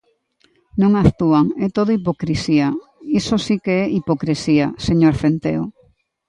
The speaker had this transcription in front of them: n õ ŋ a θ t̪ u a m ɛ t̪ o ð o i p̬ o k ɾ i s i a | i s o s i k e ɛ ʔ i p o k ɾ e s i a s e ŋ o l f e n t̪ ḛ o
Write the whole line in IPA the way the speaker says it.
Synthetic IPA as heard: n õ ŋ a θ t̪ u a ŋ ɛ t̪ o ð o i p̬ o k ɾ i s i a | i s o s i k e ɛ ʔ i p o k ɾ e s i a s e ɲ o ɾ f e n t̪ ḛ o

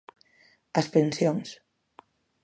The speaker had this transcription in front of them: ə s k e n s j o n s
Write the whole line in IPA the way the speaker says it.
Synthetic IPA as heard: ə s p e n s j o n s

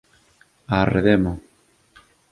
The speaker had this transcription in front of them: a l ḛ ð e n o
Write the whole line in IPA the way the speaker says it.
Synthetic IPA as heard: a r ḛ ð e m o

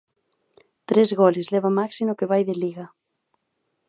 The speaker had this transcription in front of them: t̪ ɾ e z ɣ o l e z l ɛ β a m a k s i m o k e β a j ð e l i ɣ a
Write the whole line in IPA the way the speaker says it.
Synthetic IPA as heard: t̪ ɾ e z ɣ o l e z l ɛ β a m a k s i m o k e β a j ð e l i ɣ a

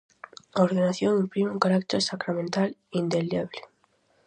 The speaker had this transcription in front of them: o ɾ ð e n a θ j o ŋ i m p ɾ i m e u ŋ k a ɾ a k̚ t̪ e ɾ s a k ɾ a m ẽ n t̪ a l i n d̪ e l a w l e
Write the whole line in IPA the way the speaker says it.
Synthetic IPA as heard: o ɾ ð e n a θ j o ŋ i m p ɾ i m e u ŋ k a ɾ a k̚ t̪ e ɾ s a k ɾ a m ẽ n t̪ a l i n d̪ e l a β l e

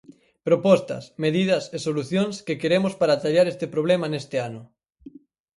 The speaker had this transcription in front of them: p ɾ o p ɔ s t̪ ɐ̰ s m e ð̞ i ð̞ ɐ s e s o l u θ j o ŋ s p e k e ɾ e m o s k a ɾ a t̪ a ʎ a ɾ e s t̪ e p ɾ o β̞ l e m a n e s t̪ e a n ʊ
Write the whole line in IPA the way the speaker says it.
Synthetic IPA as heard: p ɾ o p ɔ s t̪ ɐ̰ s m e ð̞ i ð̞ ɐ s e s o l u θ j o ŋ s k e k e ɾ e m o s p a ɾ a t̪ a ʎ a ɾ e s t̪ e p ɾ o β̞ l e m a n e s t̪ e a n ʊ

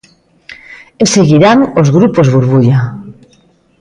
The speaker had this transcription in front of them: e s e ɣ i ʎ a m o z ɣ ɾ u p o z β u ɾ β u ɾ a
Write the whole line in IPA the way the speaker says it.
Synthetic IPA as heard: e s e ɣ i ɾ a ŋ o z ɣ ɾ u p o z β u ɾ β u ʎ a

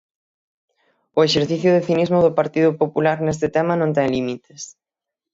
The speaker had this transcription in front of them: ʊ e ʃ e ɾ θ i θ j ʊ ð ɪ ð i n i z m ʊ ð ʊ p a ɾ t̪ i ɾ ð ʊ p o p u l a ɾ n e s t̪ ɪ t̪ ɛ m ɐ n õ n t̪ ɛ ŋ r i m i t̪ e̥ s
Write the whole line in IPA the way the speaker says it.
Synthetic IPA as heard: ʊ e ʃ e ɾ θ i θ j ʊ ð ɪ θ i n i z m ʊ ð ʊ p a ɾ t̪ i ð ʊ p o p u l a ɾ n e s t̪ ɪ t̪ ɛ m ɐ n õ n t̪ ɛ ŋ l i m i t̪ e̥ s

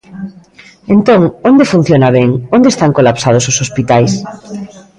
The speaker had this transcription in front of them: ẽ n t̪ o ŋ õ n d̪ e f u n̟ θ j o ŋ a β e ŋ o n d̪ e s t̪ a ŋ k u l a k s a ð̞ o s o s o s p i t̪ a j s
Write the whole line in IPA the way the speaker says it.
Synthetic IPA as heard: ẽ n t̪ o ŋ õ n d̪ e f u n̟ θ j o n a β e ŋ o n d̪ e s t̪ a ŋ k o l a p s a ð̞ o s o s o s p i t̪ a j s

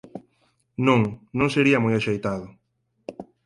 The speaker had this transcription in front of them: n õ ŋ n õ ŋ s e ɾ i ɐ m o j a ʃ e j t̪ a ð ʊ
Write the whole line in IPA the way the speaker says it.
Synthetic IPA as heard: n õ ŋ n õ ŋ s e ɾ i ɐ m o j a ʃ e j t̪ a ð ʊ

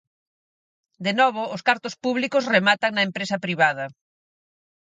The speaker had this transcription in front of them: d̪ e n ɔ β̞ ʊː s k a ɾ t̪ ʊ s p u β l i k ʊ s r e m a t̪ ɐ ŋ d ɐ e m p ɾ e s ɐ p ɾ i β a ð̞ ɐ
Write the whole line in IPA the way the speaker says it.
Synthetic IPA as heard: d̪ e n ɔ β̞ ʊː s k a ɾ t̪ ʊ s p u β l i k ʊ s r e m a t̪ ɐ ŋ n ɐ e m p ɾ e s ɐ p ɾ i β a ð̞ ɐ

